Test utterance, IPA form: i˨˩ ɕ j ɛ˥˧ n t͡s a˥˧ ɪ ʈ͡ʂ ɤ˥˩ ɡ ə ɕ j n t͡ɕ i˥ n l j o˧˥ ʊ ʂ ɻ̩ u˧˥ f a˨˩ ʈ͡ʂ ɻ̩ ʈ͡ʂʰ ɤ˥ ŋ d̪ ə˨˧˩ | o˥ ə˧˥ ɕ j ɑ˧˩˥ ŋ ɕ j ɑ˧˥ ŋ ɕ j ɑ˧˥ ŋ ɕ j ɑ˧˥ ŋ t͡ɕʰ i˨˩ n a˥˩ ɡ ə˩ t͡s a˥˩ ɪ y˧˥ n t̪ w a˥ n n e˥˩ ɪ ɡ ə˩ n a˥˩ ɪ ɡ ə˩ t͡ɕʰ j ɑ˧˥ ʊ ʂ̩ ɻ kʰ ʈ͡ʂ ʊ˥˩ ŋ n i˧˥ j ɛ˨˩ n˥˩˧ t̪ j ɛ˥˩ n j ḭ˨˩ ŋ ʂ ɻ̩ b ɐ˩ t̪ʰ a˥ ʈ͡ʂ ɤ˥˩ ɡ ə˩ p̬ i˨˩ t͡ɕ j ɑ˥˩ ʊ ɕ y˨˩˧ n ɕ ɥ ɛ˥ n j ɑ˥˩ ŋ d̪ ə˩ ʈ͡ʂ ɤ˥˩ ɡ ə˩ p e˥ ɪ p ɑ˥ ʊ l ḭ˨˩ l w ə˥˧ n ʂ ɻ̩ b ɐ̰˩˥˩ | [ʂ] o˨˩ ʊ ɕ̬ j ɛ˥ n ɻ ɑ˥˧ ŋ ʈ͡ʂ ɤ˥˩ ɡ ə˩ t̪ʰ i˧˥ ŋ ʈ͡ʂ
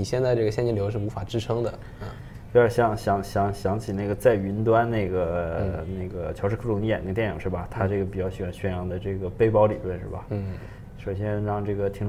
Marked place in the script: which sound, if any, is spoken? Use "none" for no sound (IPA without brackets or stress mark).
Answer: ʂ